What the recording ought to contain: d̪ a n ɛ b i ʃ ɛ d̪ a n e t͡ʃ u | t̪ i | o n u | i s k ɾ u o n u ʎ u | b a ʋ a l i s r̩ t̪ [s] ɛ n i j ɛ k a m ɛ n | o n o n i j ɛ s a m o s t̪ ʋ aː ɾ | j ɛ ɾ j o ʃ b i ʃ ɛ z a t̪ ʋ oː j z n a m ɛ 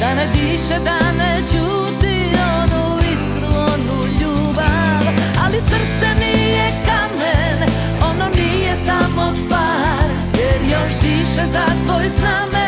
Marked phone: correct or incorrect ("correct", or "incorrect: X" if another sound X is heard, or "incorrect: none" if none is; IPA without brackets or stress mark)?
correct